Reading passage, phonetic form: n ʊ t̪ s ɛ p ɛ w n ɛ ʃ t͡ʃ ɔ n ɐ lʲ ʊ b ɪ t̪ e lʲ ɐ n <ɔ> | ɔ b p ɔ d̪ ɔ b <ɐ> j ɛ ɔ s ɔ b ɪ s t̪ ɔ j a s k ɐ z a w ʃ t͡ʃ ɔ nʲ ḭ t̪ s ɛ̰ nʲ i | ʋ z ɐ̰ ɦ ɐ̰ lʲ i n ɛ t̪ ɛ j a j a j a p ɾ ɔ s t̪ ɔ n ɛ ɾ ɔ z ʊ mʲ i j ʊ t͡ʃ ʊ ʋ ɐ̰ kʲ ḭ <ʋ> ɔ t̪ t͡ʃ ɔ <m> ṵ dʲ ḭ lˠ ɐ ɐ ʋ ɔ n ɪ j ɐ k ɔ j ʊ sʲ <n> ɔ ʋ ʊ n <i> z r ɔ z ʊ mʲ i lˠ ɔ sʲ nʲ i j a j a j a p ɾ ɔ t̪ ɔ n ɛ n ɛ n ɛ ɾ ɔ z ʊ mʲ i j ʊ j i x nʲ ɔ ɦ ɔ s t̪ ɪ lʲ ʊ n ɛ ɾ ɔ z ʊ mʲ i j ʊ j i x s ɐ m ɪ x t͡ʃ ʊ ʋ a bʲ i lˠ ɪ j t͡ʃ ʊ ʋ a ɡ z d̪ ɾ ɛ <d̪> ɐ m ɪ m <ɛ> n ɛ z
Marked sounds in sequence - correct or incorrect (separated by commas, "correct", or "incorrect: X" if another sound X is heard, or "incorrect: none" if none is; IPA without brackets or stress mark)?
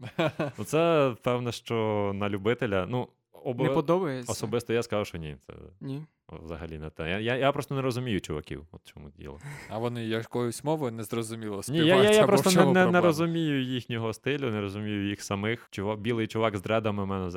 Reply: incorrect: u, correct, incorrect: w, correct, incorrect: m, incorrect: ɛ, correct, correct